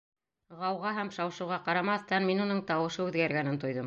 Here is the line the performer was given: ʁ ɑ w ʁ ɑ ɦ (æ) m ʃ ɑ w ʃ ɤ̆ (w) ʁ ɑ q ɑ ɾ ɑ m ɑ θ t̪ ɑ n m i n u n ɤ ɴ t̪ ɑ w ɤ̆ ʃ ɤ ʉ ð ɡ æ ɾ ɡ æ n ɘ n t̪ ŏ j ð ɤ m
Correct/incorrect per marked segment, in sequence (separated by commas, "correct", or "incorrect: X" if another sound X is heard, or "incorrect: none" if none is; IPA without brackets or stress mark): correct, correct